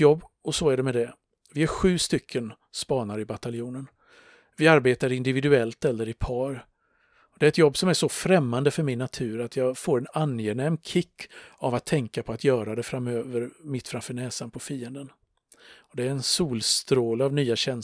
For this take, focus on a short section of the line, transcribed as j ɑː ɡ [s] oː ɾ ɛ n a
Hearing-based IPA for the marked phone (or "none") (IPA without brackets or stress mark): f